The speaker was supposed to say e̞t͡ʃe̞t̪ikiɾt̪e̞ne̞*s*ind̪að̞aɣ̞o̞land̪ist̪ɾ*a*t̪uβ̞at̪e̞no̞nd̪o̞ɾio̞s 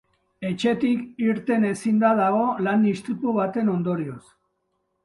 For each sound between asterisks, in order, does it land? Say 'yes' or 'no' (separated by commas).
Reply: yes, no